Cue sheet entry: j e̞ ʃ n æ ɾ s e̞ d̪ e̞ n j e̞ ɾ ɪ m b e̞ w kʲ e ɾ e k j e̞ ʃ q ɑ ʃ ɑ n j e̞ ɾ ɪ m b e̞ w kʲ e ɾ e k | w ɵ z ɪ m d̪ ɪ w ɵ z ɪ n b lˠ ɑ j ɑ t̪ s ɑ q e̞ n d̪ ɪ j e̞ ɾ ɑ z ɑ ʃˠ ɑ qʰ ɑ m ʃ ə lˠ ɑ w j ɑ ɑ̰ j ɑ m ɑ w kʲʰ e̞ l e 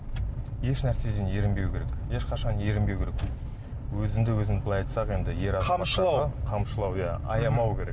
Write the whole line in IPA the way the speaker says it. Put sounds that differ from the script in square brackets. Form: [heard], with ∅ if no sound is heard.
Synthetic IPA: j e̞ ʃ n æ ɾ s e̞ d̪ e̞ n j e̞ ɾ ɪ m b e̞ w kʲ e ɾ e k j e̞ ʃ q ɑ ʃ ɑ n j e̞ ɾ ɪ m b e̞ w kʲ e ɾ e k | w ɵ z ɪ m d̪ ɪ w ɵ z ɪ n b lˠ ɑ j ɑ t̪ s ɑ q e̞ n d̪ ɪ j e̞ ɾ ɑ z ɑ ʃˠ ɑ qʰ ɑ m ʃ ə lˠ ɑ w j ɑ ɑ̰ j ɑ m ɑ w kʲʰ e̞ [ɾ] e